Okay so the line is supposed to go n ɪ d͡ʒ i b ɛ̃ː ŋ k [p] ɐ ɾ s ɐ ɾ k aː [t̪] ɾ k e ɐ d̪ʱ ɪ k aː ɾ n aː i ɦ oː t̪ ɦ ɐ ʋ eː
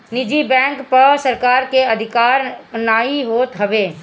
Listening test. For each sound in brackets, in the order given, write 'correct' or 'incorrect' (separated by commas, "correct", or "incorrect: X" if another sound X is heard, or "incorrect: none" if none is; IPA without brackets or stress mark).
correct, incorrect: none